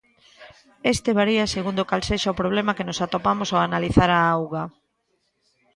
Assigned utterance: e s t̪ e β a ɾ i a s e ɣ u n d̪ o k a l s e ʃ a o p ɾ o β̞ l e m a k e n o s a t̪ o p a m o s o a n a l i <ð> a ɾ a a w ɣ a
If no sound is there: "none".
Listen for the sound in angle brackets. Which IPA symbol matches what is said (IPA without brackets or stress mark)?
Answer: θ